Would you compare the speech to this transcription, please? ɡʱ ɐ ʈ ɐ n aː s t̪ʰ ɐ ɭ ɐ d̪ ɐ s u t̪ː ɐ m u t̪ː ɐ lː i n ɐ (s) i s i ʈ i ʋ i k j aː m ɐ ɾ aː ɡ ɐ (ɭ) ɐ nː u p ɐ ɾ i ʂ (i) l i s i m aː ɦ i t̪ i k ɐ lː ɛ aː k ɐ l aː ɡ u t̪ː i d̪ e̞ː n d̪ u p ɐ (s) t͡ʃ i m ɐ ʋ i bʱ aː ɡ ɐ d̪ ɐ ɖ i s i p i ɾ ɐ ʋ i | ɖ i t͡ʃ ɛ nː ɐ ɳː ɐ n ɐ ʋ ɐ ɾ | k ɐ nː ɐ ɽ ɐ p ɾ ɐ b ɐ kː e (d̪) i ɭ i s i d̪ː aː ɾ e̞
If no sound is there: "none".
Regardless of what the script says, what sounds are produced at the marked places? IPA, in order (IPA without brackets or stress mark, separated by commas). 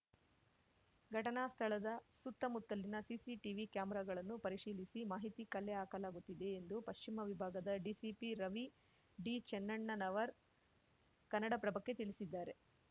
s, ɭ, iː, ʃ, t̪